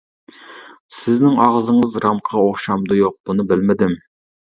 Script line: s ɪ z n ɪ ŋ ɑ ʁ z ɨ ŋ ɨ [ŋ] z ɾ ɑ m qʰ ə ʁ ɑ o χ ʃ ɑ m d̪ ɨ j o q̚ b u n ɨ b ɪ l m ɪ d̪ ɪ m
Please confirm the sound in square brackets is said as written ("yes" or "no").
no